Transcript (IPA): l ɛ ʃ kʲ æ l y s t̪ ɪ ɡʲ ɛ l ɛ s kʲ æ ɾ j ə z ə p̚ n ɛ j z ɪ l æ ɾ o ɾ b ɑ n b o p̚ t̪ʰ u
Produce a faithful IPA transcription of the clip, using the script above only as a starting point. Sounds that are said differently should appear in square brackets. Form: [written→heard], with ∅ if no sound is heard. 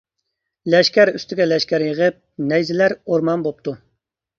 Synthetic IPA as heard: l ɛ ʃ kʲ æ [l→ɾ] y s t̪ ɪ ɡʲ ɛ l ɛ [s→ʃ] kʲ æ ɾ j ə [z→ʁ] ə p̚ n ɛ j z ɪ l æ ɾ o ɾ [b→m] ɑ n b o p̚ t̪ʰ u